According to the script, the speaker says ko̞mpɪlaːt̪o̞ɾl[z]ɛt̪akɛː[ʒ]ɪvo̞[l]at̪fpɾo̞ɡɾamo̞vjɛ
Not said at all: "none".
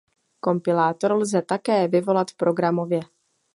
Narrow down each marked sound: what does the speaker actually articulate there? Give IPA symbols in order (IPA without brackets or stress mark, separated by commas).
z, v, l